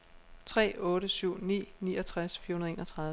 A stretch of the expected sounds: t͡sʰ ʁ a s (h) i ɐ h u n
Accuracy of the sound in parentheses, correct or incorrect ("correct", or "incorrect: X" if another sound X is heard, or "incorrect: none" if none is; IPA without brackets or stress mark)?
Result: incorrect: f